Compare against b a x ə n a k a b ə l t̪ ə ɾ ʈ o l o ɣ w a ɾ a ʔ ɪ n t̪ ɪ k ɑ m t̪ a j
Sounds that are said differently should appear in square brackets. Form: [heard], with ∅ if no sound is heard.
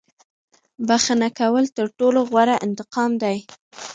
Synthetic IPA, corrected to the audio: b a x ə n a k a [w] ə l t̪ ə ɾ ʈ o l o ɣ w a ɾ a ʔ ɪ n t̪ ɪ [q] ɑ m [d̪] a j